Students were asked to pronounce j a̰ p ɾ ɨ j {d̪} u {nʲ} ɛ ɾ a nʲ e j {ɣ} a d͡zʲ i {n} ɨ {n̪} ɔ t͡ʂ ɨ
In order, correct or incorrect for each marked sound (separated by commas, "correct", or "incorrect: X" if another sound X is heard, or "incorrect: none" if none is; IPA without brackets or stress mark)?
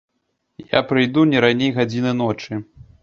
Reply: correct, correct, correct, correct, correct